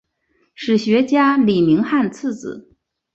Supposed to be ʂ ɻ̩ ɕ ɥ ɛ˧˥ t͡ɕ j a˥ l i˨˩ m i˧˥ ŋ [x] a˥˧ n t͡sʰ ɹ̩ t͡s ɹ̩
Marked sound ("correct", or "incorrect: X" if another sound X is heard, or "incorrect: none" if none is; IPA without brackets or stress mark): correct